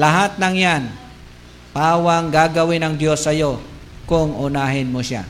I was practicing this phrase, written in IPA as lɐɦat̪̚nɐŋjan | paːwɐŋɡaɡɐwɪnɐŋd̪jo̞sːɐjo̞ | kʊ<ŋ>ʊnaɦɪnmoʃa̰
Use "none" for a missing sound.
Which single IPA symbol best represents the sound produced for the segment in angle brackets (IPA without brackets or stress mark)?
ŋ